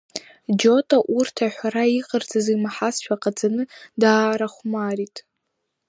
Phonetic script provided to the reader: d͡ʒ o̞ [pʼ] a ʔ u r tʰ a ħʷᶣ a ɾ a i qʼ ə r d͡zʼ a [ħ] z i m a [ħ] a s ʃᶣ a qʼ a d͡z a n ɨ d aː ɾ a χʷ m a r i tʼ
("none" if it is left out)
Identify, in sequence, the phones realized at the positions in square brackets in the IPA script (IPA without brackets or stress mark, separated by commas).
tʼ, none, ħ